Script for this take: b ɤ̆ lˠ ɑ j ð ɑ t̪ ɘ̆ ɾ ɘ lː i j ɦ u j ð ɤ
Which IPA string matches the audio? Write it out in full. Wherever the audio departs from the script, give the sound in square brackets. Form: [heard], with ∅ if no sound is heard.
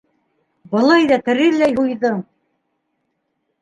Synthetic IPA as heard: b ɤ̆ lˠ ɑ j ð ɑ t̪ ɘ̆ ɾ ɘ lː [æ] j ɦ u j ð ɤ